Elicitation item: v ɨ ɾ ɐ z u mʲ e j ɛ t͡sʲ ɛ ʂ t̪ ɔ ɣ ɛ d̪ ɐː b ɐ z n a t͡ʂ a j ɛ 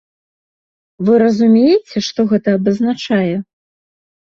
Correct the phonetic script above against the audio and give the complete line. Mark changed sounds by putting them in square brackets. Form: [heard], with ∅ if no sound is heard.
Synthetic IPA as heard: v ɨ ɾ ɐ z u mʲ e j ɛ t͡sʲ ɛ ʂ t̪ ɔ ɣ ɛ [t̪] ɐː b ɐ z n a t͡ʂ a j ɛ